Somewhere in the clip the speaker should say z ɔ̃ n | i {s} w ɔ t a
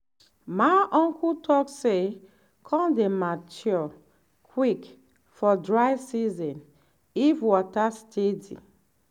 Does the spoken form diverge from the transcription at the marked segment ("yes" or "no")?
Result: yes